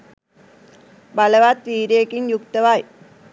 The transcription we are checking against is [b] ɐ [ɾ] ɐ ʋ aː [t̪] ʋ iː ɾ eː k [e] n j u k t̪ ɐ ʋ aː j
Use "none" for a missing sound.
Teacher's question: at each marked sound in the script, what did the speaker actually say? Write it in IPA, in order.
b, l, t̪, i

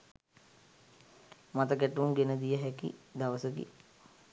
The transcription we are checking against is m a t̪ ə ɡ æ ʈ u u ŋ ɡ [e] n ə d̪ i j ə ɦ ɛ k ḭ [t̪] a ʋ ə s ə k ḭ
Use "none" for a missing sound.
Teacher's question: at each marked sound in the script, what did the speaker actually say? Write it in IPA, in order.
e, d̪

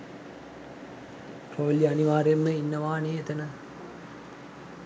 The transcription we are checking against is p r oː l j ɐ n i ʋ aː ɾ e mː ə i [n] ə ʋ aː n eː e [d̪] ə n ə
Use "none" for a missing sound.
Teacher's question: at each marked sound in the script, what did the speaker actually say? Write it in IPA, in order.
nː, t̪

